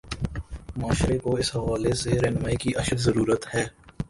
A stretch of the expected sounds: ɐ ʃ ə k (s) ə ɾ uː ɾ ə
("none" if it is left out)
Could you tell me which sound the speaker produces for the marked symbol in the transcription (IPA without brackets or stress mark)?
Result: z